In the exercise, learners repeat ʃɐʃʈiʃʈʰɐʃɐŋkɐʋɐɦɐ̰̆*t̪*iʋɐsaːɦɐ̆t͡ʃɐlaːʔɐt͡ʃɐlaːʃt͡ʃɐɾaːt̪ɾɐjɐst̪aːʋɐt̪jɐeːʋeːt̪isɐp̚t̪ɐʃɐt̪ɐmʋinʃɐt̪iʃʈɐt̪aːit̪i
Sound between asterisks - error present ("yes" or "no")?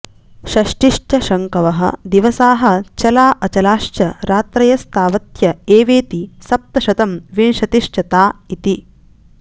yes